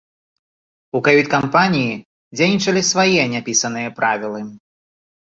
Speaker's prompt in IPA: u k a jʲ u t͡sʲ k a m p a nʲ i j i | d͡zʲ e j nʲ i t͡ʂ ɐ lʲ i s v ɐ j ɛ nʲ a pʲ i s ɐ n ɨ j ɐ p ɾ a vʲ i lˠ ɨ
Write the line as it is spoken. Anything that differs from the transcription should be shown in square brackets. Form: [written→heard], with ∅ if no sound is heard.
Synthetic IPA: u k a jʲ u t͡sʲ k a m p a nʲ i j i | d͡zʲ e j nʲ i t͡ʂ ɐ lʲ i s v [ɐ→a] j ɛ nʲ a pʲ i s ɐ n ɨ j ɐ p ɾ a vʲ i lˠ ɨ